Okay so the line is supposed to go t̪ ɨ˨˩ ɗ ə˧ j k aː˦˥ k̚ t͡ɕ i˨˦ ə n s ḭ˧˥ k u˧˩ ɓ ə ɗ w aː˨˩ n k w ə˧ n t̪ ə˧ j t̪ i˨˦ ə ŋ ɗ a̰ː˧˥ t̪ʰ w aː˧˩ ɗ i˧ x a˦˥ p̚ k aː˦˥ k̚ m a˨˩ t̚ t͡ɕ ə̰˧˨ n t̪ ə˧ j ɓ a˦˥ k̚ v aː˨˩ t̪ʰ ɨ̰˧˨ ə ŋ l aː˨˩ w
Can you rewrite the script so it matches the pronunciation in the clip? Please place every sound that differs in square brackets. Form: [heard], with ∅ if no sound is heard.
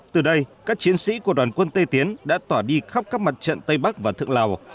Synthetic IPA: t̪ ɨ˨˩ ɗ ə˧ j k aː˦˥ k̚ t͡ɕ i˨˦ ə n s ḭ˧˥ k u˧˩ [∅] ə ɗ w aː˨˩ n k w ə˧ n t̪ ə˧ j t̪ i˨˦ ə [n] ɗ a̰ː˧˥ [t̪] w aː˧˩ ɗ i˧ x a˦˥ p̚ k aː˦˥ k̚ m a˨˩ t̚ t͡ɕ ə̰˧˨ n t̪ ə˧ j ɓ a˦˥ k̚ v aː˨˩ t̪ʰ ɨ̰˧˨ ə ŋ l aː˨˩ w